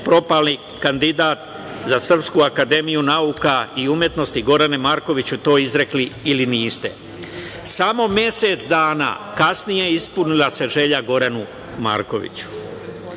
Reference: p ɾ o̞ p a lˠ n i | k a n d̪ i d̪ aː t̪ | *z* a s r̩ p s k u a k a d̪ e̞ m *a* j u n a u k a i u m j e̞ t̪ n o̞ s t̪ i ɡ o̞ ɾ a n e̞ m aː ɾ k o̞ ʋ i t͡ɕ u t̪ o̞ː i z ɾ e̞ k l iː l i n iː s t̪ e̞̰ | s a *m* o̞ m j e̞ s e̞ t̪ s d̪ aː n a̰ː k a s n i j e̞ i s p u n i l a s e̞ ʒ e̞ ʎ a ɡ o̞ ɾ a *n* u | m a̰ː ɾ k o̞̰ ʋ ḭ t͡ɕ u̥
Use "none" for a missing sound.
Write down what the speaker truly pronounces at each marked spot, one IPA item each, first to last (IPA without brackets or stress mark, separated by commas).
z, i, m, n